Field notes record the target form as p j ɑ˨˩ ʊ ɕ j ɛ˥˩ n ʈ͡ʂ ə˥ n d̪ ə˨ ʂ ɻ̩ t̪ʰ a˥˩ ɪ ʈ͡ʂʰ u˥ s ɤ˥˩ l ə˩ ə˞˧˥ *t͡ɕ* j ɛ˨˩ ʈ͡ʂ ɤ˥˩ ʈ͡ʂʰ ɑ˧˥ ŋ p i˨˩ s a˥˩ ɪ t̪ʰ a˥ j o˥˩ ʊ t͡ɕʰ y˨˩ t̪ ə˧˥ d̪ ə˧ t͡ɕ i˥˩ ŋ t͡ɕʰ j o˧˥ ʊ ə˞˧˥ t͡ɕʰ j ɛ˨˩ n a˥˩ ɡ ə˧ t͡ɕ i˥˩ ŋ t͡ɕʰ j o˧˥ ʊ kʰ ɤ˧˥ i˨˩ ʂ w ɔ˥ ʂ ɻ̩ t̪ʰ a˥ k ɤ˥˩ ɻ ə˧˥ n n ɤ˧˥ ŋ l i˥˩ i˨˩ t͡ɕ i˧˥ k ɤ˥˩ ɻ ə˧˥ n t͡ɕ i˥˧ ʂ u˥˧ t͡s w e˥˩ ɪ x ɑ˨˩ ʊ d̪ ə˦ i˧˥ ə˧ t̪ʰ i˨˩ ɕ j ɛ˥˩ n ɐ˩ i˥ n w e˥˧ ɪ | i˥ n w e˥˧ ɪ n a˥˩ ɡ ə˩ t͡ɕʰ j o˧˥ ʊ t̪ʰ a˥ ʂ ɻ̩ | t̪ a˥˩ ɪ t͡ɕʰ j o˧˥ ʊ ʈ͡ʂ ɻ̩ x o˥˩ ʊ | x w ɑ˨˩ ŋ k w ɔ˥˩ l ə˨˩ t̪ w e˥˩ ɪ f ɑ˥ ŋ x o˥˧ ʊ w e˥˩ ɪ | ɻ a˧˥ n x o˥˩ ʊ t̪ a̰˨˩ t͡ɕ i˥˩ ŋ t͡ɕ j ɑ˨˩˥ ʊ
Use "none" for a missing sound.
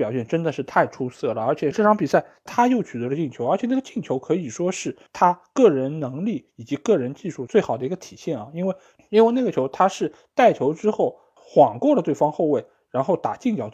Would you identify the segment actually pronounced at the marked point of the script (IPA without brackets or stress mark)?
t͡ɕʰ